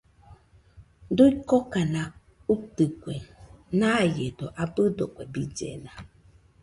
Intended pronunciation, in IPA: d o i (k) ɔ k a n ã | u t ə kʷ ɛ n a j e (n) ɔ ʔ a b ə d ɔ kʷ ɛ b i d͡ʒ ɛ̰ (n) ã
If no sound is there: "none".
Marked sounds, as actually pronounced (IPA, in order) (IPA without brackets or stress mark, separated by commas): k, d, n